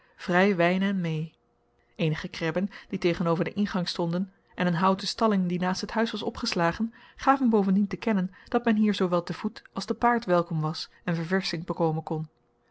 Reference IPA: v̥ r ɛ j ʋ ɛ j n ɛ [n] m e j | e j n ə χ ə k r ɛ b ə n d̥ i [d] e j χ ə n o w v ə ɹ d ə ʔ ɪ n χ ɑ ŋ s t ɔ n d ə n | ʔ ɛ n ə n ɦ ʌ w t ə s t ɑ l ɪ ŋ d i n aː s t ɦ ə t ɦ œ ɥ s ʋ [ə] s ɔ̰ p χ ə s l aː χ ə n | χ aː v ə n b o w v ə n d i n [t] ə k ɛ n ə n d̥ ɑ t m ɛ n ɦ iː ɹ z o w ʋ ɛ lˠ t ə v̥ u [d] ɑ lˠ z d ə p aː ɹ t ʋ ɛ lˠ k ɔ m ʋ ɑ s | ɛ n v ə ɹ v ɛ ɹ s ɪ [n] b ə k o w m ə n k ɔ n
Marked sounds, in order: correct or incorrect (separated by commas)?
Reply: correct, incorrect, incorrect, correct, incorrect, incorrect